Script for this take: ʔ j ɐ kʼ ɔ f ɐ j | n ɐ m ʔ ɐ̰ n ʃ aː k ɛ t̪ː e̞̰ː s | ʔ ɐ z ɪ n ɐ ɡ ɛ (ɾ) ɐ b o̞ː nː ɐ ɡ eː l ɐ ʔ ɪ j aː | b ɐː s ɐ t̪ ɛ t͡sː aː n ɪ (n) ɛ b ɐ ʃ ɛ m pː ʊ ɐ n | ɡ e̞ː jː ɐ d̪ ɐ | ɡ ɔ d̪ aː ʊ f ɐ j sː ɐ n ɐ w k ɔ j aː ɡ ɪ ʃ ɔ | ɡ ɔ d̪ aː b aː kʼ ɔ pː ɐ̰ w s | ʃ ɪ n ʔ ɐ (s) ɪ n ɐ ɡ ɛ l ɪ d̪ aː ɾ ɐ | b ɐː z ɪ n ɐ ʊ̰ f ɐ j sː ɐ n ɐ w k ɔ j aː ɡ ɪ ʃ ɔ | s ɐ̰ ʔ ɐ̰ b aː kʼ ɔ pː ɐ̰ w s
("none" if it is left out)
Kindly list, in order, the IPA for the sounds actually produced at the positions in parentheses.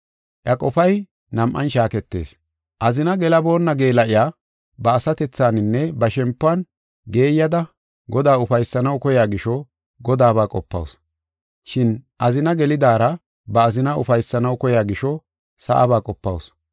l, nː, z

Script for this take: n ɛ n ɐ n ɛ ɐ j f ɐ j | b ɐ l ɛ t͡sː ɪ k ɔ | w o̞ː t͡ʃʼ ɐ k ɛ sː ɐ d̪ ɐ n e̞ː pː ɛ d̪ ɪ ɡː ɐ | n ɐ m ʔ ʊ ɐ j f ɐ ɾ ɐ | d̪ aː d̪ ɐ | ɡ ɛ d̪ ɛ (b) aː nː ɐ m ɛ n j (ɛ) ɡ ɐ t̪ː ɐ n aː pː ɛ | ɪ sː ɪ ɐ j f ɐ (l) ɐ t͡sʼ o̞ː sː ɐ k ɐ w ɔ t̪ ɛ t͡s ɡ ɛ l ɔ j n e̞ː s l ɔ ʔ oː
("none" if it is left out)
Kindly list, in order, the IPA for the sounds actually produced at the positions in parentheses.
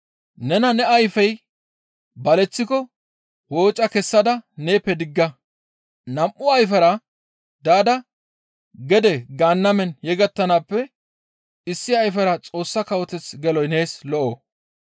ɡ, ɛ, ɾ

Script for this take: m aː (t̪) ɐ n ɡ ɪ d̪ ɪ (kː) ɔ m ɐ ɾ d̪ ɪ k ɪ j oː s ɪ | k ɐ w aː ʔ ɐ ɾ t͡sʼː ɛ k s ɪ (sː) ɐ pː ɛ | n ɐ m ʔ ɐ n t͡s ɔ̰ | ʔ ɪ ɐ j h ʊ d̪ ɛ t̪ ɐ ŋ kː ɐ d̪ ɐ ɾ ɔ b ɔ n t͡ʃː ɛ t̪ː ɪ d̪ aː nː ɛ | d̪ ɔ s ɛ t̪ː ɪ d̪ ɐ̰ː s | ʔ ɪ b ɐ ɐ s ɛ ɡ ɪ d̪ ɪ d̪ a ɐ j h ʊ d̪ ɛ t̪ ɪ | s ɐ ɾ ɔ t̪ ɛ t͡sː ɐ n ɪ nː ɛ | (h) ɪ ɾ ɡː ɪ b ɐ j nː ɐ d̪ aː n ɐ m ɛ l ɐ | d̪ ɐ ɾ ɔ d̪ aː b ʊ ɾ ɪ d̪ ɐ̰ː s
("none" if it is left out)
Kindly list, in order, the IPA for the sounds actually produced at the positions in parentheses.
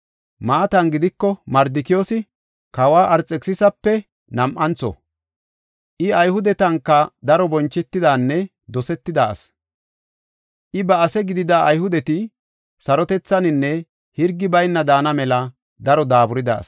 t̪, kː, s, h

